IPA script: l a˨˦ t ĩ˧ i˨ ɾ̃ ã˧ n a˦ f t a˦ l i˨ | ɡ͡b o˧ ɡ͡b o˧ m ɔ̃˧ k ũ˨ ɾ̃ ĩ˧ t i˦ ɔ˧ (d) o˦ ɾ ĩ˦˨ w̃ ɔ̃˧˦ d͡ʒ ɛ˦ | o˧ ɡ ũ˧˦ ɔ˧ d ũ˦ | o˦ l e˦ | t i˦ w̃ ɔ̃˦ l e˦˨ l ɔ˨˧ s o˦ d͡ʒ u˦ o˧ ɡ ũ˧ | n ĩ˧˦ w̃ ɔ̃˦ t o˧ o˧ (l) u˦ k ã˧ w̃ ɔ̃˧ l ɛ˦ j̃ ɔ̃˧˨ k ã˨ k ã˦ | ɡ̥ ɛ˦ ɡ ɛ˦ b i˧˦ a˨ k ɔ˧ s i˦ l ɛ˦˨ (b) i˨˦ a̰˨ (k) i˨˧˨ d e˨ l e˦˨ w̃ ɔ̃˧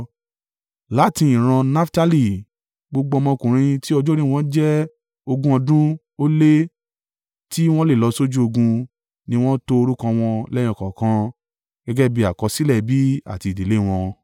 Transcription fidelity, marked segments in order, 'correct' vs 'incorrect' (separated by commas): incorrect, incorrect, correct, incorrect